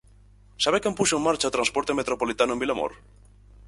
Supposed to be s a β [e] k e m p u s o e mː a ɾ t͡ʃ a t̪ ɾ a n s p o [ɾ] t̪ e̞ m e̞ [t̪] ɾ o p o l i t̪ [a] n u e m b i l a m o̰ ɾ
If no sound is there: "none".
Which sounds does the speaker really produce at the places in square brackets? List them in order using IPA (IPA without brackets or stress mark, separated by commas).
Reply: e, ɾ, t̪, a